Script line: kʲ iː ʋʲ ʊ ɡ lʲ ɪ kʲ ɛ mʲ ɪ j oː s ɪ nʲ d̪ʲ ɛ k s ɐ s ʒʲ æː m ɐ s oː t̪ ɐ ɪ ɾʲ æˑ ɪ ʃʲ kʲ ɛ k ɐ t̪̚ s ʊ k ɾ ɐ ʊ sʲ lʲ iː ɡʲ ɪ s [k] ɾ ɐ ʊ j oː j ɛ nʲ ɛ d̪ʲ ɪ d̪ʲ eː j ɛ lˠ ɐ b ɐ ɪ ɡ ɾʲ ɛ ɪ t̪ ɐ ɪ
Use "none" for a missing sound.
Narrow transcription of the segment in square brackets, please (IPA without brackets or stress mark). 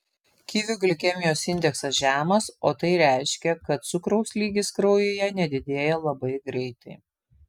k